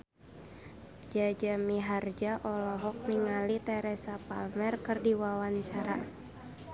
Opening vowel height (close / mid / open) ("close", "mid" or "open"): open